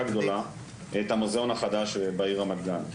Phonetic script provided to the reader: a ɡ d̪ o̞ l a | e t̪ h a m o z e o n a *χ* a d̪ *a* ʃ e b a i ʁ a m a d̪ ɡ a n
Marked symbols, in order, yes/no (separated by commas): yes, yes